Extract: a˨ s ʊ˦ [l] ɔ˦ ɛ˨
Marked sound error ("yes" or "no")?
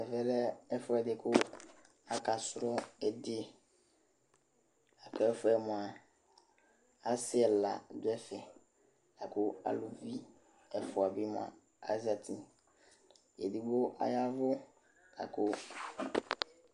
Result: yes